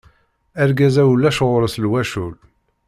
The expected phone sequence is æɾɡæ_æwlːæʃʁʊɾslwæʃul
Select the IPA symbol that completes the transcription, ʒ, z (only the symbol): z